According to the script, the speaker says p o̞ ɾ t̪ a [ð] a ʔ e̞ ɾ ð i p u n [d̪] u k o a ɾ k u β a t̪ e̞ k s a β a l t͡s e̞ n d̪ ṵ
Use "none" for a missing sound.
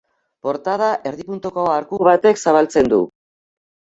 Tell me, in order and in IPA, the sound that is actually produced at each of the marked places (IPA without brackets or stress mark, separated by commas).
ð, t̪